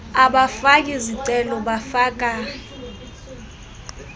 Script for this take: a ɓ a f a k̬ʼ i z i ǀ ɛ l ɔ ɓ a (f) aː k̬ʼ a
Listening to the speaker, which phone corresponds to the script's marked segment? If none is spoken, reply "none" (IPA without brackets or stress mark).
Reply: f